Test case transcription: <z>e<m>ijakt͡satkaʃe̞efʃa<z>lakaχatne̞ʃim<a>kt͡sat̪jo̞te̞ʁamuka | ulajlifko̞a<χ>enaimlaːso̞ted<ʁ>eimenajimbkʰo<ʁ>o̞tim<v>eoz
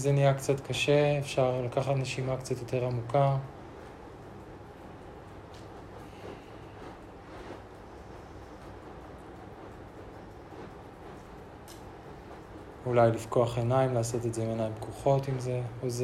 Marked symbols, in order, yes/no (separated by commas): yes, no, no, yes, yes, no, no, no